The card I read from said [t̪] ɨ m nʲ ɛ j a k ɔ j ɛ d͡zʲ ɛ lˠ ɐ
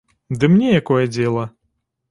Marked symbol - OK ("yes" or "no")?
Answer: no